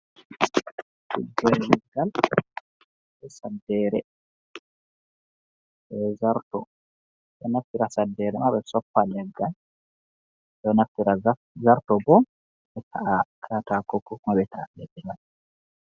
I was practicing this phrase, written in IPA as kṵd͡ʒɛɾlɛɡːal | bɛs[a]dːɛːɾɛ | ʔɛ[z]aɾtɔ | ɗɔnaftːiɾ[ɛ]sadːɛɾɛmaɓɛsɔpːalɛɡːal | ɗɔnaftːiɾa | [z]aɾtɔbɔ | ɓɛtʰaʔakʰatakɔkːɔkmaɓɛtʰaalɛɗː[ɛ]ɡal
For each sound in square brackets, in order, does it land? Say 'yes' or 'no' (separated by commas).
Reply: yes, yes, no, yes, yes